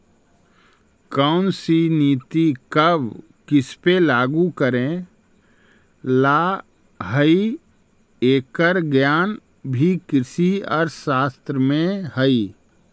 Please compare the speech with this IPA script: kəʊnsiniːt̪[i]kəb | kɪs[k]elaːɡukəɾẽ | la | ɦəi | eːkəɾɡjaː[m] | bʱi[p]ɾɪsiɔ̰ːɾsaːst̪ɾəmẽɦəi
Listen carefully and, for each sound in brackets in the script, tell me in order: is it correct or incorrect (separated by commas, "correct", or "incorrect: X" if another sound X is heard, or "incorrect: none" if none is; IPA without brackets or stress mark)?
correct, incorrect: p, incorrect: n, incorrect: k